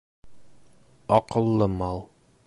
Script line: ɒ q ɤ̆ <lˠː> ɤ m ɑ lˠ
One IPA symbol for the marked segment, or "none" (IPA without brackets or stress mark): lˠː